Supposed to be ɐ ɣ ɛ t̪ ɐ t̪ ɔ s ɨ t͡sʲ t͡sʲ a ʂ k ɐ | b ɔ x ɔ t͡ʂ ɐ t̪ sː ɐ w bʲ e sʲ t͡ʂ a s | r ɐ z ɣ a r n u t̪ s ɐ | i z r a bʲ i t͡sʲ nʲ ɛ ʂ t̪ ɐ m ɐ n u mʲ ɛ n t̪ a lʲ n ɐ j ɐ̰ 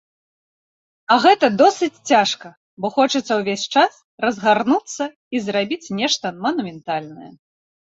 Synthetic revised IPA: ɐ ɣ ɛ t̪ ɐ d̪ ɔ s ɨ t͡sʲ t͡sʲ a ʂ k ɐ | b ɔ x ɔ t͡ʂ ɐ t̪ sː ɐ w vʲ e sʲ t͡ʂ a s | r ɐ z ɣ a r n u t̪ sː ɐ | i z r a bʲ i t͡sʲ nʲ ɛ ʂ t̪ ɐ m ɐ n u mʲ ɛ n t̪ a lʲ n ɐ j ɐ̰